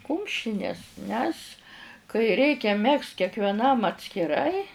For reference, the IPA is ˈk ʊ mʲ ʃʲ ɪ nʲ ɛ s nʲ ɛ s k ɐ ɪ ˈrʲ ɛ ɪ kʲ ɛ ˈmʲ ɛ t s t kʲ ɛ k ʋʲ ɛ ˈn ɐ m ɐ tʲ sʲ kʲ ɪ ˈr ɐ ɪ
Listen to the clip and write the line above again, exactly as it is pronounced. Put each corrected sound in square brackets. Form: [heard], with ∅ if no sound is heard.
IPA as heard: ˈk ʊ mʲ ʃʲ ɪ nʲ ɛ s nʲ ɛ s k ɐ ɪ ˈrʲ ɛ ɪ kʲ ɛ ˈmʲ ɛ [k] s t kʲ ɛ k ʋʲ ɛ ˈn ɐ m ɐ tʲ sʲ kʲ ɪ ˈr ɐ ɪ